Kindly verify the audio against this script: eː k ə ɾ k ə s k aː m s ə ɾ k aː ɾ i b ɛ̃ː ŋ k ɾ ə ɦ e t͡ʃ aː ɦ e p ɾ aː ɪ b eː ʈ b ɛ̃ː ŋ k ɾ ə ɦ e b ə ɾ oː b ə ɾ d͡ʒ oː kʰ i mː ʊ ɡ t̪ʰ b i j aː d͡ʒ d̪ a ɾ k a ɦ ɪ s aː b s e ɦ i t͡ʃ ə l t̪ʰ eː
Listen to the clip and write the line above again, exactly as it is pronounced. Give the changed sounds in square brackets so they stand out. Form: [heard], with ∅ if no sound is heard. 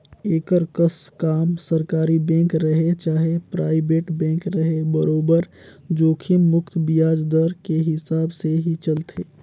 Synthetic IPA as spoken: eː k ə ɾ k ə s k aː m s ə ɾ k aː ɾ i b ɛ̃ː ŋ k ɾ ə ɦ e t͡ʃ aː ɦ e p ɾ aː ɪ b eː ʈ b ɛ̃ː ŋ k ɾ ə ɦ e b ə ɾ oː b ə ɾ d͡ʒ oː kʰ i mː ʊ [k] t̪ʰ b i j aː d͡ʒ d̪ [ə] ɾ k [e] ɦ ɪ s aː b s e ɦ i t͡ʃ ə l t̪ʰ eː